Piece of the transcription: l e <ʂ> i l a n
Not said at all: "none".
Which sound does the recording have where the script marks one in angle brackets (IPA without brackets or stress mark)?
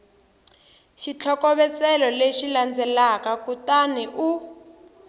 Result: ʃ